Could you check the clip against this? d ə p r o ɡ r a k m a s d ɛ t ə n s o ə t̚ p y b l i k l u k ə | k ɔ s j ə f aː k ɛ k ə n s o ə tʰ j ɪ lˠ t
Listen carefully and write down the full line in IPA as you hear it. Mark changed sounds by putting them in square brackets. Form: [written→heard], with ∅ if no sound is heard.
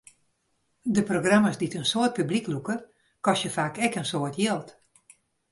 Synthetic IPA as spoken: d ə p r o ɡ r a [k→∅] m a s d [ɛ→i] t ə n s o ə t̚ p y b l i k l u k ə | k ɔ s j ə f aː k ɛ k ə n s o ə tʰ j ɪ lˠ t